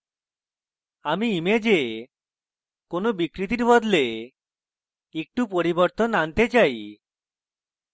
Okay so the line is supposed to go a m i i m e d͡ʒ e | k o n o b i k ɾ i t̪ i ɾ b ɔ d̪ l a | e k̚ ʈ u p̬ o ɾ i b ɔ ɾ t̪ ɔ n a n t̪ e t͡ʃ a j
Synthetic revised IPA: a m i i m e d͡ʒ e | k o n o b i k ɾ i t̪ i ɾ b ɔ d̪ l e | e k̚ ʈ u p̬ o ɾ i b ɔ ɾ t̪ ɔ n a n t̪ e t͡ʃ a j